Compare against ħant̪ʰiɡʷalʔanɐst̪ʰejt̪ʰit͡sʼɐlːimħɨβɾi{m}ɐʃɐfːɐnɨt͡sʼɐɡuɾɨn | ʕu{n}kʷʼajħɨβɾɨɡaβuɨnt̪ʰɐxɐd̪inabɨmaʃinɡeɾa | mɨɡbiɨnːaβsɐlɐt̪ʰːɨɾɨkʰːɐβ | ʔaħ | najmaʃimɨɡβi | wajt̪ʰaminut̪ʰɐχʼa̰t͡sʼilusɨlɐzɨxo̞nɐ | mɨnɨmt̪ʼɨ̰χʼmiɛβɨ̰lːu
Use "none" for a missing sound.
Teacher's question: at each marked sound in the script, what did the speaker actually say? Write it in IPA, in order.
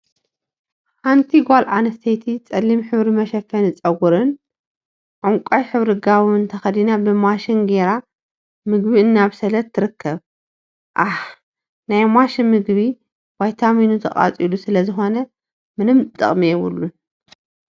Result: m, ŋ

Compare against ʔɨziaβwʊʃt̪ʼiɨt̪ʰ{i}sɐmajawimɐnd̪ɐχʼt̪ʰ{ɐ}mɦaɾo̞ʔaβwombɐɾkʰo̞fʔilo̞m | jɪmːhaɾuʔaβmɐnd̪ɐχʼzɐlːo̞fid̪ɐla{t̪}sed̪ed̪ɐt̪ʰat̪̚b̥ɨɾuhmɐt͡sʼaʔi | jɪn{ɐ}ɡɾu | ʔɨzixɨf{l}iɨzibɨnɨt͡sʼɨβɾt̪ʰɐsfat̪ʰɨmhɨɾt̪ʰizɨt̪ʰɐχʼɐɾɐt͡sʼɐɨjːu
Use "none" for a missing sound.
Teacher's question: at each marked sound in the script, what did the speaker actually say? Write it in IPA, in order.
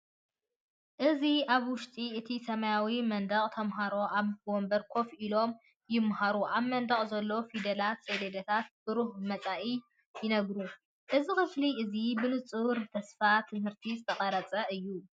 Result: i, ɐ, t̪, ɐ, l

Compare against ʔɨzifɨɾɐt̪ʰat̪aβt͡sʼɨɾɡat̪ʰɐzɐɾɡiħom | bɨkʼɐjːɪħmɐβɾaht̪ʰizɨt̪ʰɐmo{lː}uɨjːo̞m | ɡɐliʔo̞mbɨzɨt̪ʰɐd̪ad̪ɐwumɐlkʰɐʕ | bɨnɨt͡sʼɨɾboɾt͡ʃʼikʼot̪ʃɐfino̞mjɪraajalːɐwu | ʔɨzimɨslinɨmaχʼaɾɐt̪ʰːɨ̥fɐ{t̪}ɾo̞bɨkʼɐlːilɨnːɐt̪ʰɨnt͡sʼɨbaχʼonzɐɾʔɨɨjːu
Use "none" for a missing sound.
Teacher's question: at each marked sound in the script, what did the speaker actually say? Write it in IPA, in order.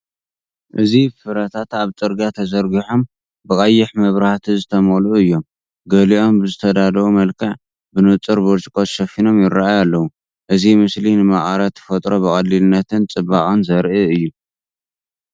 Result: l, t̪ʼ

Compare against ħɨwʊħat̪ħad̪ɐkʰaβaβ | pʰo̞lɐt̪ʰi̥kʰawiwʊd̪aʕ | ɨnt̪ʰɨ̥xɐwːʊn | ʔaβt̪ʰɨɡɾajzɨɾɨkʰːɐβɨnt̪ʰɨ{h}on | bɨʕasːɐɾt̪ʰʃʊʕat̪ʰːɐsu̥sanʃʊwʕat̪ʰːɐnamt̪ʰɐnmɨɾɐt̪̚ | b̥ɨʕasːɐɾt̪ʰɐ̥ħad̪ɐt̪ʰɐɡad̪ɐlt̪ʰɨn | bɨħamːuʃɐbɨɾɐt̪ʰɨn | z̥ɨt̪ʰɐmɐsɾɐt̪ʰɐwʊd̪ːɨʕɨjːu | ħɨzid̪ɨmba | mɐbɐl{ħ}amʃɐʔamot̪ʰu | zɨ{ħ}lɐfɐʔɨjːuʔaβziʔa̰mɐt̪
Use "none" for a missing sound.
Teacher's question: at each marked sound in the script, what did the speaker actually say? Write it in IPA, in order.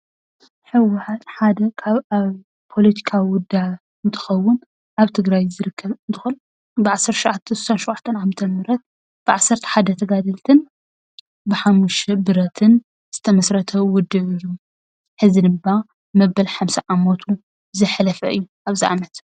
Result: x, ħ, ħ

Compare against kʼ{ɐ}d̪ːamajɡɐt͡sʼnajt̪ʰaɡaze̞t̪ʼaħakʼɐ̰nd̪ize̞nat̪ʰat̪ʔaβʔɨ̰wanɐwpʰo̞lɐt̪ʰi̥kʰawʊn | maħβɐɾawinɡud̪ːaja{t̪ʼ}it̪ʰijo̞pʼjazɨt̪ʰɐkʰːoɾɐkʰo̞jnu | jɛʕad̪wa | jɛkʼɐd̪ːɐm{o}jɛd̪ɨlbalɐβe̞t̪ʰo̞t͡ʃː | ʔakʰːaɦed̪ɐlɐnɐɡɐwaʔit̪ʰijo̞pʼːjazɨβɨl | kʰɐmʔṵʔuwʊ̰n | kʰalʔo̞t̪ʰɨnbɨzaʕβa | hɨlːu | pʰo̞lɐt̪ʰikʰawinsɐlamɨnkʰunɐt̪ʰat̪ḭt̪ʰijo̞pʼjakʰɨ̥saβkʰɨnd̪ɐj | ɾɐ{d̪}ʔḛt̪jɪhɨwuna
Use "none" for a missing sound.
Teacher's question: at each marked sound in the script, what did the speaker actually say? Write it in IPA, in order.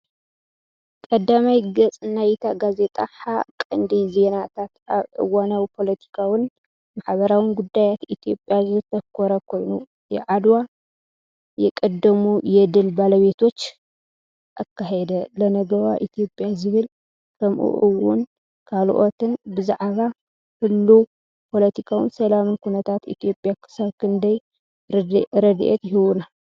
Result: ɐ, t̪, u, d̪

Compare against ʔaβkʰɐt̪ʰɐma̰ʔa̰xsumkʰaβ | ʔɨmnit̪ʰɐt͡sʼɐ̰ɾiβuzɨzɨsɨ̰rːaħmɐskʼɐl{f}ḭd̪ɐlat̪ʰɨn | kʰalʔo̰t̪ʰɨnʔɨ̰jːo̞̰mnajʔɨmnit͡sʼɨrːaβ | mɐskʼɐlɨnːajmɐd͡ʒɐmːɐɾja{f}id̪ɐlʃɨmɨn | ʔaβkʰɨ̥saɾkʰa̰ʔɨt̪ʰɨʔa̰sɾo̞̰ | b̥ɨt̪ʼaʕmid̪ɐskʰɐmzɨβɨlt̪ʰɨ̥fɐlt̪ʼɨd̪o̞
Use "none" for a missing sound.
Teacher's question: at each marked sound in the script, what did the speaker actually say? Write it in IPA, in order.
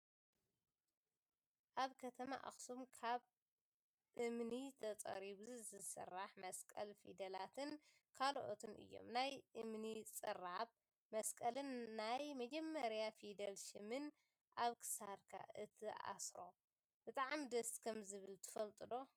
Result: f, f

